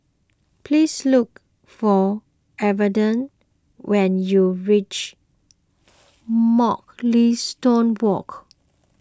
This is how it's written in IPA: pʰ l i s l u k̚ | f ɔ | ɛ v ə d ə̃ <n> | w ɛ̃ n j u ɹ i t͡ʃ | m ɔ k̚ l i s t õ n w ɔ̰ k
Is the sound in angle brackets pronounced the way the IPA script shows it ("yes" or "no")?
yes